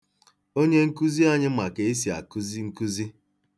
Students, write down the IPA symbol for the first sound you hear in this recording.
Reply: o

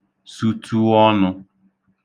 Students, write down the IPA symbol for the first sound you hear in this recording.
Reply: s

